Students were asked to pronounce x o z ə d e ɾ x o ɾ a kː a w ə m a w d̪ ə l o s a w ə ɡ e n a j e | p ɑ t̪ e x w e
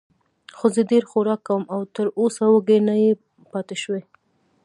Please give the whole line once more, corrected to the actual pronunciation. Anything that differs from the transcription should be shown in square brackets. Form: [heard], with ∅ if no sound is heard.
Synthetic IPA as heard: x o z ə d e ɾ x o ɾ [ɑ] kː a w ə m a w [t̪] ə [ɾ] o s a w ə ɡ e n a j e | p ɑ t̪ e [ʃ] w e